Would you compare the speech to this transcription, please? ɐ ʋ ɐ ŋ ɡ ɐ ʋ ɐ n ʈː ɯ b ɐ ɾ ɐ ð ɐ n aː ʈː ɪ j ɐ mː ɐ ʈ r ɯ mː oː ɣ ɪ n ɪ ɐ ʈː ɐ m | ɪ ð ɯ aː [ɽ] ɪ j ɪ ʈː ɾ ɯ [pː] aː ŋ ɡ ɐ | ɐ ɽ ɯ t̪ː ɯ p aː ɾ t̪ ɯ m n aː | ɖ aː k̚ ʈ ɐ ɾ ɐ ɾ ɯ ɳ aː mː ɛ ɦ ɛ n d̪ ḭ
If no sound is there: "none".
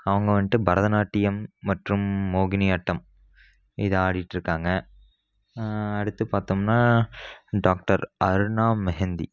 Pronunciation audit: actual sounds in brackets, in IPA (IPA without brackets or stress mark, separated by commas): ɽ, kː